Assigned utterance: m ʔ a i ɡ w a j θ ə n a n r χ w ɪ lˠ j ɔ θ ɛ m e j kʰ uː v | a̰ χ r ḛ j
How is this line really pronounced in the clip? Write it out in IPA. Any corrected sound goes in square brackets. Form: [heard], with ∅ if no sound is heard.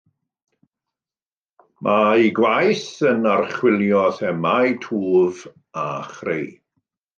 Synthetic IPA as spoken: m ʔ a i ɡ w a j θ ə n a [∅] r χ w ɪ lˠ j ɔ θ ɛ m [a] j [tʰ] uː v | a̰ χ r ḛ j